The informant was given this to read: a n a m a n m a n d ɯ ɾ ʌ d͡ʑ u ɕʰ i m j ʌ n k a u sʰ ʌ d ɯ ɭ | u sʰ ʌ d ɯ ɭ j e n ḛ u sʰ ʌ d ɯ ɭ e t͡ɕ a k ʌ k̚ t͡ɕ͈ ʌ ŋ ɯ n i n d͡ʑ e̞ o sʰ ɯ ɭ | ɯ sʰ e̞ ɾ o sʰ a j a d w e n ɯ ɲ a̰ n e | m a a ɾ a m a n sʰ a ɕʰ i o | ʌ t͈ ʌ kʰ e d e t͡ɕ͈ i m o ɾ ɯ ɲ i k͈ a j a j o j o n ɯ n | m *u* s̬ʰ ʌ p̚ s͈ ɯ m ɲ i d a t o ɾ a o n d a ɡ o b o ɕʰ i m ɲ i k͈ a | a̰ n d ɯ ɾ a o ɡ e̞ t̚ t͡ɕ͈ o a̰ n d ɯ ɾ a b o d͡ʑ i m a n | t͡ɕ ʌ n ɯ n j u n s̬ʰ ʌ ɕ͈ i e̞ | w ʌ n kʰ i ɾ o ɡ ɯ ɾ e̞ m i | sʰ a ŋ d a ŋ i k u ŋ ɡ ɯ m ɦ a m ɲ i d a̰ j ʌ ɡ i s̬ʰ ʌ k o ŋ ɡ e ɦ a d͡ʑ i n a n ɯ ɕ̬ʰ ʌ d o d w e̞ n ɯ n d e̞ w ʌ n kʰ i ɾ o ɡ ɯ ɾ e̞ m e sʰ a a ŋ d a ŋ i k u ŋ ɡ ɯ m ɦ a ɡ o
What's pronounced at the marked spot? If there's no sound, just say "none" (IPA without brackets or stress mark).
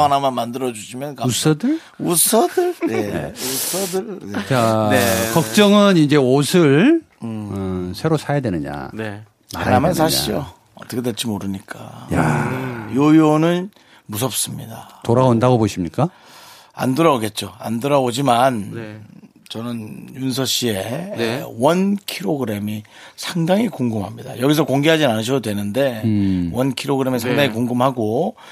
u